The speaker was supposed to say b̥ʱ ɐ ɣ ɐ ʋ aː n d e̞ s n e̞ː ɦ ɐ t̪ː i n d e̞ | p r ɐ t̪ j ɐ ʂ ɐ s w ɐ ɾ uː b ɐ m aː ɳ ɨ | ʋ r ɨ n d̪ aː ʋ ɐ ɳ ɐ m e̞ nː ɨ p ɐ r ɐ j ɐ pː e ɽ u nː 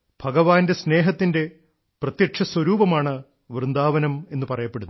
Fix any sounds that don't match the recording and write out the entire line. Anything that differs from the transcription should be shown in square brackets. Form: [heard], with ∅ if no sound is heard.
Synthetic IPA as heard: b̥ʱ ɐ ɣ ɐ ʋ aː n d e̞ s n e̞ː ɦ ɐ t̪ː i n d e̞ | p r ɐ t̪ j ɐ ʂ ɐ s w ɐ ɾ uː b ɐ m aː ɳ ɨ | ʋ r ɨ n d̪ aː ʋ ɐ [n] ɐ m e̞ nː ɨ p ɐ r ɐ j ɐ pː e ɽ u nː